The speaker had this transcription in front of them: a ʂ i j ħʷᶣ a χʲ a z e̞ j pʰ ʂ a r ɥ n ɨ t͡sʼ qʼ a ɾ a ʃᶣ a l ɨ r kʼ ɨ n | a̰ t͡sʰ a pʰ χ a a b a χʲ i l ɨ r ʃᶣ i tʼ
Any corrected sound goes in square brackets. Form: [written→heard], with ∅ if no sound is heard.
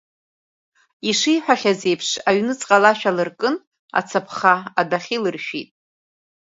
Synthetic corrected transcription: [a→i] ʂ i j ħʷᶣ a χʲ a z e̞ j pʰ ʂ a [r→∅] ɥ n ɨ t͡sʼ qʼ a [ɾ→l] a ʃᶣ a l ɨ r kʼ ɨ n | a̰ t͡sʰ a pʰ χ a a [b→d] a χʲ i l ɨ r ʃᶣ i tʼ